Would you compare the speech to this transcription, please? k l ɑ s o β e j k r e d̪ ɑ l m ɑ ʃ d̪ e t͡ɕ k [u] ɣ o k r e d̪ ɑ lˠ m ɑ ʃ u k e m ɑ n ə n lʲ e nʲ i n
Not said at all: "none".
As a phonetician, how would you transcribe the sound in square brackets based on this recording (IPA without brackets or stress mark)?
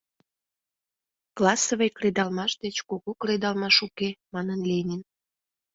o